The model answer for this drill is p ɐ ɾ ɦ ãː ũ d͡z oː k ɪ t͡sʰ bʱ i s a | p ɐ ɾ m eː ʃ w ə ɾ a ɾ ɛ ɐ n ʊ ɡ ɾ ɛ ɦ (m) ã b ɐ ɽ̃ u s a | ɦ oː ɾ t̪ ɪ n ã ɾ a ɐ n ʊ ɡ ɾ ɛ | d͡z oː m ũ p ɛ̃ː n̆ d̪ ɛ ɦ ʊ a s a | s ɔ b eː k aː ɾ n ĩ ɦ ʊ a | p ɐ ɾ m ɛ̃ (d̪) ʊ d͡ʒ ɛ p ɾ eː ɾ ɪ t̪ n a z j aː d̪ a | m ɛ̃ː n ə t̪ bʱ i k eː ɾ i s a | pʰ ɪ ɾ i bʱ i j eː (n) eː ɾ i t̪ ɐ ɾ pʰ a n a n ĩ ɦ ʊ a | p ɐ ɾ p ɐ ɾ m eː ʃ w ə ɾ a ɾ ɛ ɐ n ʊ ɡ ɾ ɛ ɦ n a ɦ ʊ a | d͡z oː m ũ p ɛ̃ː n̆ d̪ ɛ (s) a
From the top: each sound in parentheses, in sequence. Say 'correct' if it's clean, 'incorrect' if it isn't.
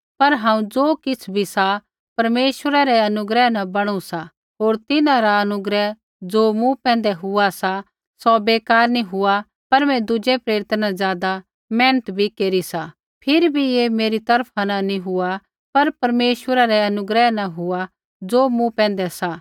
incorrect, correct, incorrect, correct

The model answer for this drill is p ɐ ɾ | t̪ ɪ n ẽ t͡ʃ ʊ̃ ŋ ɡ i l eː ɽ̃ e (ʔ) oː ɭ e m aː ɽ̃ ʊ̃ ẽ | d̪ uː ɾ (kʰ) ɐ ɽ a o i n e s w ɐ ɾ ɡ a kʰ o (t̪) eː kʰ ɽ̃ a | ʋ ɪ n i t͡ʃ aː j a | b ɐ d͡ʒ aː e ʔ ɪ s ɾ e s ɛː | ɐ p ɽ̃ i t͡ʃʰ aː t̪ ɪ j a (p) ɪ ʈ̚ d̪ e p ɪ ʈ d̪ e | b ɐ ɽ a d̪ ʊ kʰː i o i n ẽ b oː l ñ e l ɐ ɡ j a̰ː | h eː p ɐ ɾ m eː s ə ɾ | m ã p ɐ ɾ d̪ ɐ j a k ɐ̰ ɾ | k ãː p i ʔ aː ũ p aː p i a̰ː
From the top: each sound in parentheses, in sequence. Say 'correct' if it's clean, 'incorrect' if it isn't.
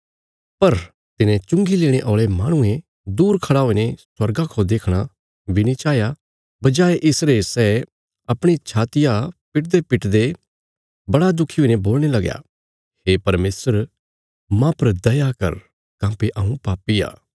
correct, correct, incorrect, correct

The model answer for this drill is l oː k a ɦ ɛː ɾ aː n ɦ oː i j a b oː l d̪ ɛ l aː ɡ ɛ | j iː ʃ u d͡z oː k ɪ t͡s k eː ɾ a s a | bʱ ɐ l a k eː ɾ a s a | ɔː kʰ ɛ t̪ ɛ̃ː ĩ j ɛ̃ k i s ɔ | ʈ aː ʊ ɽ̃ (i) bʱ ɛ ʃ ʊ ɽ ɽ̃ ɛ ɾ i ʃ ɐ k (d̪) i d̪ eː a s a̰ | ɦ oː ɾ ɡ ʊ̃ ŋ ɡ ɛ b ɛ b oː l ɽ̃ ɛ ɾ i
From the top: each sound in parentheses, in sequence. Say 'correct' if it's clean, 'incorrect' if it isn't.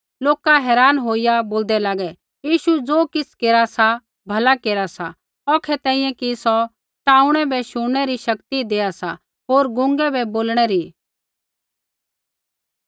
incorrect, incorrect

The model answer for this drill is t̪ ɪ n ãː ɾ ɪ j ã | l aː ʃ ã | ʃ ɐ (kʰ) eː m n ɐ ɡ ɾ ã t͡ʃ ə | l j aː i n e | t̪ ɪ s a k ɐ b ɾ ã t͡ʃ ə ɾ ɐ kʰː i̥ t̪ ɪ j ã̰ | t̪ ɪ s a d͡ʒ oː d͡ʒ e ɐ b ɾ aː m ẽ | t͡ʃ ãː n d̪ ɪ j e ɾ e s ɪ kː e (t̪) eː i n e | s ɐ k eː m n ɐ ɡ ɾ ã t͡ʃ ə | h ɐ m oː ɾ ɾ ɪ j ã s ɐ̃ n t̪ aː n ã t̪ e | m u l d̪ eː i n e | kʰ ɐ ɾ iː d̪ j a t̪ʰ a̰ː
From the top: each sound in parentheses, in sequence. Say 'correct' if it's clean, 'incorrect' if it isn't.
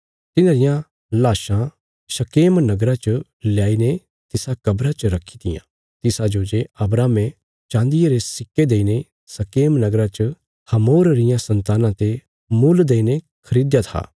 incorrect, incorrect

